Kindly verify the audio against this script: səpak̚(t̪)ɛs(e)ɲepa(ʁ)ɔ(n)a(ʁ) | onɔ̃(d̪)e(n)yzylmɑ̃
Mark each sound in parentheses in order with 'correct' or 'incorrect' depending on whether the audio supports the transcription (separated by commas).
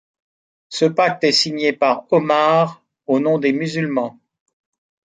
correct, incorrect, correct, incorrect, correct, correct, incorrect